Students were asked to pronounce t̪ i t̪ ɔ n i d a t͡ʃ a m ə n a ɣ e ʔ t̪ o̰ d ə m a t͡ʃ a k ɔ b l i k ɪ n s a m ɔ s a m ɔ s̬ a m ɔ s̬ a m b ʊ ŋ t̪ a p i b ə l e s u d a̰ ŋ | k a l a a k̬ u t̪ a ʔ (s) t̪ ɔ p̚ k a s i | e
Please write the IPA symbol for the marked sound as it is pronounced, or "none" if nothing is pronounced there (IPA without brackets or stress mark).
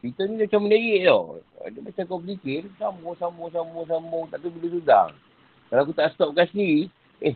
s